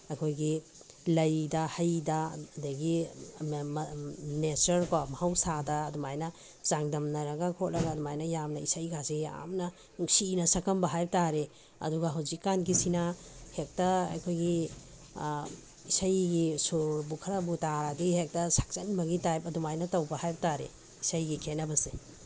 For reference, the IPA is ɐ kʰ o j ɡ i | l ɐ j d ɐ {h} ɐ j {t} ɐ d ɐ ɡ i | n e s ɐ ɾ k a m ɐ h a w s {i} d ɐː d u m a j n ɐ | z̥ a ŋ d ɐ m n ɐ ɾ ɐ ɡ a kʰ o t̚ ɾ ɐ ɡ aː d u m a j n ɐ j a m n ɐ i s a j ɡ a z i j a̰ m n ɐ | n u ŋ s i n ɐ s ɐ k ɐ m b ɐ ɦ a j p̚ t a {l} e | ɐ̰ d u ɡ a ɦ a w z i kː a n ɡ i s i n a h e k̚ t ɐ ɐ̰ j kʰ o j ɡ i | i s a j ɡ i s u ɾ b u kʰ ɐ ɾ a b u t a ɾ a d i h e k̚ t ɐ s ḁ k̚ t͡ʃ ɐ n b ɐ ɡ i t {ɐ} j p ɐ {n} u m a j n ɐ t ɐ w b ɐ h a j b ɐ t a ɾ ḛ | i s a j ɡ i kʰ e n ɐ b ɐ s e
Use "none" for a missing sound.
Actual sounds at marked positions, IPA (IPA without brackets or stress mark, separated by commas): h, d, a, ɾ, a, d